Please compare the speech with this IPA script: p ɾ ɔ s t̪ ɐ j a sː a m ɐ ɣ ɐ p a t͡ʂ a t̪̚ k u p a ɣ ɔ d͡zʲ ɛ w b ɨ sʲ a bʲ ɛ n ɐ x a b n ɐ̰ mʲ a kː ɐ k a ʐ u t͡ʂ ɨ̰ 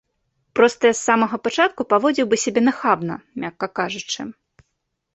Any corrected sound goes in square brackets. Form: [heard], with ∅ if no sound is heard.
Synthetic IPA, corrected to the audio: p ɾ ɔ s t̪ ɐ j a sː a m ɐ ɣ ɐ p a t͡ʂ a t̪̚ k u p a [v] ɔ d͡zʲ [i] w b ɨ sʲ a bʲ ɛ n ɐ x a b n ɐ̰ mʲ a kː ɐ k a ʐ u t͡ʂ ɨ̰

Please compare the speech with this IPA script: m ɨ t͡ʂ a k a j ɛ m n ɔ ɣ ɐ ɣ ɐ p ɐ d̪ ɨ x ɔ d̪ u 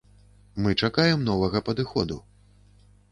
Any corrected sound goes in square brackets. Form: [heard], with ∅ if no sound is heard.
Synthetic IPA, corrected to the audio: m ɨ t͡ʂ a k a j ɛ m n ɔ [v] ɐ ɣ ɐ p ɐ d̪ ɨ x ɔ d̪ u

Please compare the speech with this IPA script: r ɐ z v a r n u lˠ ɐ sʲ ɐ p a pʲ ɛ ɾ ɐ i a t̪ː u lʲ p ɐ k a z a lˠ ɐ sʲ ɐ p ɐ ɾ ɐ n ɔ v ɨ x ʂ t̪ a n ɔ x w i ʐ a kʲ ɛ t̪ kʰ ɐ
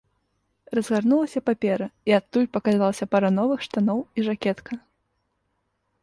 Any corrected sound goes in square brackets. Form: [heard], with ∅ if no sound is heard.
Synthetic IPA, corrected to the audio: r ɐ z [ɣ] a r n u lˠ ɐ sʲ ɐ p a pʲ ɛ ɾ ɐ i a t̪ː u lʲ p ɐ k a z a lˠ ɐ sʲ ɐ p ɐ ɾ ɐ n ɔ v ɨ x ʂ t̪ a n ɔ [∅] w i ʐ a kʲ ɛ t̪ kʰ ɐ

